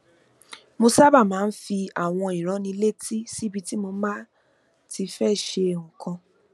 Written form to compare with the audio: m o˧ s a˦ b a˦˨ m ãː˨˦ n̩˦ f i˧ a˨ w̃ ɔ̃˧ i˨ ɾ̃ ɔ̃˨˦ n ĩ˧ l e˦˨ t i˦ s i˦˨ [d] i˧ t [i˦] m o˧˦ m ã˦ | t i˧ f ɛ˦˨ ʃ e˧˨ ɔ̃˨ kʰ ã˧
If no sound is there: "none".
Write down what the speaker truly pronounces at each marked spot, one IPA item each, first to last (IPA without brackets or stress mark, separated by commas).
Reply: b, i˦